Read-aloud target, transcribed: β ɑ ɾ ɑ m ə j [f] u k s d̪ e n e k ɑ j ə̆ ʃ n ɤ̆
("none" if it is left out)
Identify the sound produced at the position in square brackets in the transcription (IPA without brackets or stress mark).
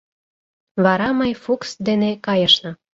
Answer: f